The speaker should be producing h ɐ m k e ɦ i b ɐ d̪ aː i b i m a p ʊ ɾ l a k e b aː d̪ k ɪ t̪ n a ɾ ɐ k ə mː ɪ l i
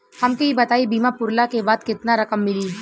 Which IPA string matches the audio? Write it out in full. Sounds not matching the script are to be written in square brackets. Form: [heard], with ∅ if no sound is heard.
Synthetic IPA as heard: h ɐ m k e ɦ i b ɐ [t̪] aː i b [iː] m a p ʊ ɾ l a k e b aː d̪ k ɪ t̪ n a ɾ ɐ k ə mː ɪ l i

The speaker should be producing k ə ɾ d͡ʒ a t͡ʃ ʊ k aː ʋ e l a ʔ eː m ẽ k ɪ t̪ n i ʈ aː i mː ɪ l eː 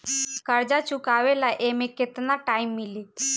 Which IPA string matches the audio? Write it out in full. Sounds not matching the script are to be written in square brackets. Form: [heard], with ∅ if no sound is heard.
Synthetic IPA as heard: k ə ɾ d͡ʒ a t͡ʃ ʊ k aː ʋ e l a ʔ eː m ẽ k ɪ t̪ n [a] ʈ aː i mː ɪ l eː

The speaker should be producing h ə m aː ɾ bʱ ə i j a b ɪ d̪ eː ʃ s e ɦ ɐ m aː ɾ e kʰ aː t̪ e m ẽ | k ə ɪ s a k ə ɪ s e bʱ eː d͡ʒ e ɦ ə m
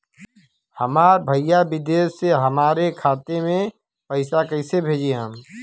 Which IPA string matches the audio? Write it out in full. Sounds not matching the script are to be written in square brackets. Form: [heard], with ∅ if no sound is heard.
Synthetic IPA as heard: h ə m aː ɾ bʱ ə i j a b ɪ d̪ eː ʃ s e ɦ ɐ m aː ɾ e kʰ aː t̪ e m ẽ | [p] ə ɪ s a k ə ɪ s e bʱ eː d͡ʒ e ɦ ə m

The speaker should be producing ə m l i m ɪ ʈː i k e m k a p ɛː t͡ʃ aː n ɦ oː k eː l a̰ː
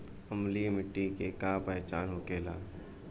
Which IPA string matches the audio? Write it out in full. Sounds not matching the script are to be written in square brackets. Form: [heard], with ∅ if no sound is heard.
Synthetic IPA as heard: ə m l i m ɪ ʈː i k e [∅] k a p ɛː t͡ʃ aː n ɦ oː k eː l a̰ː

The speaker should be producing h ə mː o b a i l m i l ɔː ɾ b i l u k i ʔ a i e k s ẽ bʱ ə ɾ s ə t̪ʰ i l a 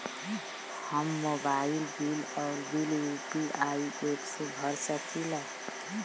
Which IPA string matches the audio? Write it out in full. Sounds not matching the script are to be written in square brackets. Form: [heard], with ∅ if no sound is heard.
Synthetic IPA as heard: h ə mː o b a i l [b] i l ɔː ɾ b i l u [p] i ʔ a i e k s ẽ bʱ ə ɾ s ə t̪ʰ i l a

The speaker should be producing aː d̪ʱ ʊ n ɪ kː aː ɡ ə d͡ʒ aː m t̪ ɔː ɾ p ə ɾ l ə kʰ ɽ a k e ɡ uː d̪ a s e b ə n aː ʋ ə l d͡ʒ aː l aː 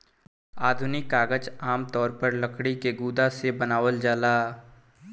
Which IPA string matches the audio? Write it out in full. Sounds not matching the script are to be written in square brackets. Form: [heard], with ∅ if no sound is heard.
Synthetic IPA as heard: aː d̪ʱ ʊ n ɪ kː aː ɡ ə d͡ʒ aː m t̪ ɔː ɾ p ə ɾ l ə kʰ ɽ [i] k e ɡ uː d̪ a s e b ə n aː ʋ ə l d͡ʒ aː l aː

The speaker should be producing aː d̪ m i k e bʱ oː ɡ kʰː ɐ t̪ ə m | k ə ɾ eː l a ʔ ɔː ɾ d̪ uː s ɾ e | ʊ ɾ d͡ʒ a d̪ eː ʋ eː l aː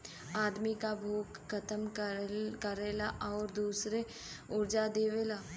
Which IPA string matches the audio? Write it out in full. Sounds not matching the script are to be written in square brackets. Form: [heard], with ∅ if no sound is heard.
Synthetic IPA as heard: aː d̪ m i k [a] bʱ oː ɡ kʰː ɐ t̪ ə m | k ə ɾ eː l a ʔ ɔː ɾ d̪ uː s ɾ e | ʊ ɾ d͡ʒ a d̪ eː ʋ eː l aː

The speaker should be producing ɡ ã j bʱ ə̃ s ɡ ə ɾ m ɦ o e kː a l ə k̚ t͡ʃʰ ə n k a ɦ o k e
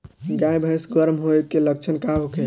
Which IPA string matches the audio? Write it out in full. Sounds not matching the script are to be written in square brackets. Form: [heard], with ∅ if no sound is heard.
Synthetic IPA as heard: ɡ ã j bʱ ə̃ s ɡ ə ɾ m ɦ o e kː [e] l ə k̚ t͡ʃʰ ə n k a ɦ o k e

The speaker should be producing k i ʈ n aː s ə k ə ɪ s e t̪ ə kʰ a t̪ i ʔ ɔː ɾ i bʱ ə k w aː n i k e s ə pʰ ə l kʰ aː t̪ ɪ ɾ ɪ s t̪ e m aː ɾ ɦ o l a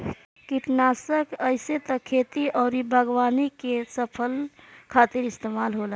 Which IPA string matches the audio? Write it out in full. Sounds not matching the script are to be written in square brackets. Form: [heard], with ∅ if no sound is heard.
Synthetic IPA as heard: k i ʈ n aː s ə k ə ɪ s e t̪ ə kʰ [e] t̪ i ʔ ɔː ɾ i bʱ ə [ɡ] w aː n i k e s ə pʰ ə l kʰ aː t̪ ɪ ɾ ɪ s t̪ e m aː [l] ɦ o l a

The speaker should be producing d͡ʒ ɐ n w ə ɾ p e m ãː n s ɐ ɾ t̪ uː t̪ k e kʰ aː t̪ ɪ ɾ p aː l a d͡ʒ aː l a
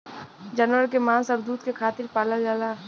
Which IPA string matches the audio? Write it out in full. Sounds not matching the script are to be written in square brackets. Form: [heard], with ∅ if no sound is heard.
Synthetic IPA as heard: d͡ʒ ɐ n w ə ɾ [k] e m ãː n s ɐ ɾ [d̪] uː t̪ k e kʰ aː t̪ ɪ ɾ p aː l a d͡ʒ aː l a

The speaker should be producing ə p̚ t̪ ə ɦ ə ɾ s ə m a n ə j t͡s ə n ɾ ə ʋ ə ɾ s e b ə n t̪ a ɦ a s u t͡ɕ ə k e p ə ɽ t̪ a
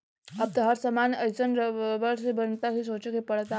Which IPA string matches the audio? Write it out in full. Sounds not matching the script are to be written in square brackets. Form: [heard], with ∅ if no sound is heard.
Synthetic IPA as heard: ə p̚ t̪ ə ɦ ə ɾ s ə m a n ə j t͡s ə n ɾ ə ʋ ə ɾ s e b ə n t̪ a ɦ [i] s [o] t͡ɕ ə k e p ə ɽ t̪ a

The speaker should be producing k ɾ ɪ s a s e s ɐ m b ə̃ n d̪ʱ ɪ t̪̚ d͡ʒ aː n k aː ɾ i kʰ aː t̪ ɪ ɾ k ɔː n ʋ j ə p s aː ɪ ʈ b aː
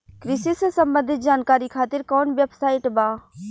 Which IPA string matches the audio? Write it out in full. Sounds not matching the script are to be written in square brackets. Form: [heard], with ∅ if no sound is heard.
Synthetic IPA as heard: k ɾ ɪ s [i] s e s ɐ m b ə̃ n d̪ʱ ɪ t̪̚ d͡ʒ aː n k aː ɾ i kʰ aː t̪ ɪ ɾ k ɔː n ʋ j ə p s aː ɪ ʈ b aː

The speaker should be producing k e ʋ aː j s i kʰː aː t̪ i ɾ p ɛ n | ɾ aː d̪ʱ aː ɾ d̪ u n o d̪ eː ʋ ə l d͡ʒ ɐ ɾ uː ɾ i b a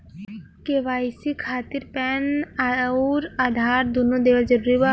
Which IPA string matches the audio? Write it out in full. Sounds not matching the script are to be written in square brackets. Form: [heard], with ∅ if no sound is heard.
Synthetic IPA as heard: k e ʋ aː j s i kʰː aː t̪ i ɾ p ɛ n | ɾ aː d̪ʱ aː ɾ d̪ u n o d̪ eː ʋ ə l d͡ʒ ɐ ɾ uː ɾ i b a

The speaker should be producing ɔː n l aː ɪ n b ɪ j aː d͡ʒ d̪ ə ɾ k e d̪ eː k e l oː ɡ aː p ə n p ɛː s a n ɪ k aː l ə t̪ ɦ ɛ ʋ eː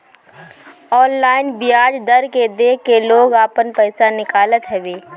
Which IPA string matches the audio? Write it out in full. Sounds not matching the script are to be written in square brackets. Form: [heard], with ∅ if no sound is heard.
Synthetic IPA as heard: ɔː n l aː ɪ n b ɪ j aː d͡ʒ d̪ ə ɾ k e d̪ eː k e l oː ɡ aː p ə n p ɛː s a n ɪ k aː l ə t̪ ɦ ɛ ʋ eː

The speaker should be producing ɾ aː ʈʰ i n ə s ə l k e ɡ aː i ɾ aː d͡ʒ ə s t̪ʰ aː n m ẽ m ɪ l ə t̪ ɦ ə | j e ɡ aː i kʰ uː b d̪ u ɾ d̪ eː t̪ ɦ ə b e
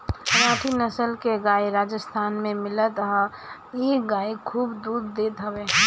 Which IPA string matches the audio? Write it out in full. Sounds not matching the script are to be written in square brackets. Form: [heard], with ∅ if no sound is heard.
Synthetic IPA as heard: ɾ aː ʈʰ i n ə s ə l k e ɡ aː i ɾ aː d͡ʒ ə s t̪ʰ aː n m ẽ m ɪ l ə t̪ ɦ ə | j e ɡ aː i kʰ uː b d̪ u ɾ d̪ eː t̪ ɦ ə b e

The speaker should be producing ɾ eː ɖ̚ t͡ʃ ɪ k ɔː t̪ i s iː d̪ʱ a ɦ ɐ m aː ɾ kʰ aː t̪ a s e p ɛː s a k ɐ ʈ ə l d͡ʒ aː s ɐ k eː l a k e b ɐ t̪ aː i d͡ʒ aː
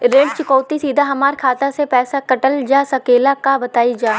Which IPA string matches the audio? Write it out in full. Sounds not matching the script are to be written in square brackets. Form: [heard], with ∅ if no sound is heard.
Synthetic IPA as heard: ɾ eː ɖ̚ t͡ʃ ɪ k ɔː t̪ i s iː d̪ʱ a ɦ ɐ m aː ɾ kʰ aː t̪ a s e p ɛː s a k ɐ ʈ ə l d͡ʒ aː s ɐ k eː l a k [a] b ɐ t̪ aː i d͡ʒ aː

